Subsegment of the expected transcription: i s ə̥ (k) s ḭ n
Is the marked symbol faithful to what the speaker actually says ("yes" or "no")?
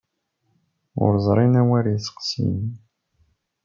no